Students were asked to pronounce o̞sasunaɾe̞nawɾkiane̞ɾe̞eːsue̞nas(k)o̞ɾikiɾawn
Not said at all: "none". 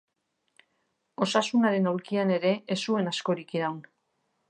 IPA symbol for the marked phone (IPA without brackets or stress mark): k